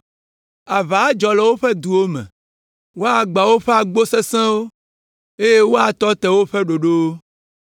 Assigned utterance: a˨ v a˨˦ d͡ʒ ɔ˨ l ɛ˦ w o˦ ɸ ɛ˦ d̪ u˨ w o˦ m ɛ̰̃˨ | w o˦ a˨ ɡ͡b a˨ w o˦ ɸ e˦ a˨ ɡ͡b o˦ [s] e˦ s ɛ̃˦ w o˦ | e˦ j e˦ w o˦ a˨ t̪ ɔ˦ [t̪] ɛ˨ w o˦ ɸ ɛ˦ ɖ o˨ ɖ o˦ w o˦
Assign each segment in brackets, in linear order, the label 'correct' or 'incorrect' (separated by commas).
correct, correct